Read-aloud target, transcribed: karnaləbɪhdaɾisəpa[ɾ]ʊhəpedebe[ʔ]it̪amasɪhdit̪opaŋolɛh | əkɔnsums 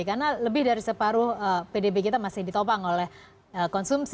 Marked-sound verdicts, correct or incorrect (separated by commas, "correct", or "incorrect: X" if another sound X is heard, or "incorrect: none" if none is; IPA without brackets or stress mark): correct, incorrect: k